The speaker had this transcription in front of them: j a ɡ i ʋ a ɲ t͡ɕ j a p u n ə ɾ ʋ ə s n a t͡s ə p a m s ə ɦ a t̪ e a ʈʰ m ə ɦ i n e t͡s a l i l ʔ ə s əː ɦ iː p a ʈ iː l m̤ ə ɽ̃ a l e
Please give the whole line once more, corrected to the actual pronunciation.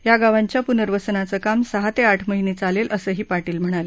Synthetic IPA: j a ɡ a ʋ a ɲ t͡ɕ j a p u n ə ɾ ʋ ə s n a t͡s ə k a m s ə ɦ a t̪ e a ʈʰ m ə ɦ i n e t͡s a l e l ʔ ə s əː ɦ iː p a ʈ iː l m̤ ə ɽ̃ a l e